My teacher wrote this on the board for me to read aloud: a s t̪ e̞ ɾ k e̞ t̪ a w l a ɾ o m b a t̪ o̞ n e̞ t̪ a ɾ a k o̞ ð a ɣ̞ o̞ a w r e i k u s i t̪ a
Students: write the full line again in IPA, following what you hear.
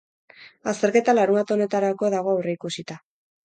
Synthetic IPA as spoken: a s t̪ e̞ ɾ k e̞ t̪ a l a ɾ u m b a t̪ o̞ n e̞ t̪ a ɾ a k o̞ ð a ɣ̞ o̞ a w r e i k u s i t̪ a